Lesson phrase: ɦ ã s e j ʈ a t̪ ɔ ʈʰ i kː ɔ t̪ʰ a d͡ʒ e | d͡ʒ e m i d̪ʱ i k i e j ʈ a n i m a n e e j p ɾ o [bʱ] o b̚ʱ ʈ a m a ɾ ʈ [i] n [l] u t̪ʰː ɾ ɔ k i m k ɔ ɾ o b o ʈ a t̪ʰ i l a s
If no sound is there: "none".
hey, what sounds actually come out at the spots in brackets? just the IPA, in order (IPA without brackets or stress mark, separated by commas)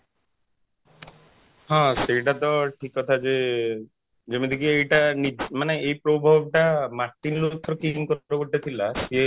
bʱ, i, l